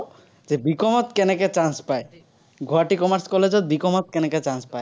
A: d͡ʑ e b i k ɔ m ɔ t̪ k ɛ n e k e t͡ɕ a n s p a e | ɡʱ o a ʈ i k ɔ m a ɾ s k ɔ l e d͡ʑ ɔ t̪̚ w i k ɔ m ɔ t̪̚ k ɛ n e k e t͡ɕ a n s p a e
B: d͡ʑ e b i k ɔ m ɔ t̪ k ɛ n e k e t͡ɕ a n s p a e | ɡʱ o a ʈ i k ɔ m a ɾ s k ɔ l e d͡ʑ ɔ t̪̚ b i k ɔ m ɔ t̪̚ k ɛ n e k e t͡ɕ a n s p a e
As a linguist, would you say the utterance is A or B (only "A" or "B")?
B